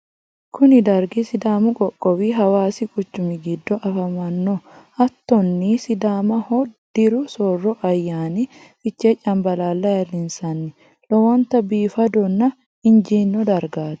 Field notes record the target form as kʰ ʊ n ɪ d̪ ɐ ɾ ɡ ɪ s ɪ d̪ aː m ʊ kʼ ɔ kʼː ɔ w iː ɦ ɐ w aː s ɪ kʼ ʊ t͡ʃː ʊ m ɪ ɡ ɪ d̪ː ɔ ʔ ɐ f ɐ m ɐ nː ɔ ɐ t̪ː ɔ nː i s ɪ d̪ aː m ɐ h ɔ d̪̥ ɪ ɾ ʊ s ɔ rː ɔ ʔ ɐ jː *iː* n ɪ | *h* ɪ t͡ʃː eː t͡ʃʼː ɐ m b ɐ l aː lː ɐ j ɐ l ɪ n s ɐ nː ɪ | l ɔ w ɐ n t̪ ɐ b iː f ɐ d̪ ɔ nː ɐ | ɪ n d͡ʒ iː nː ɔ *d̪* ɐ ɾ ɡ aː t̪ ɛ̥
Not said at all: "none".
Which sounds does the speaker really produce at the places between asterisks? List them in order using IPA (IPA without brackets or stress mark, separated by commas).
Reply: aː, f, d̪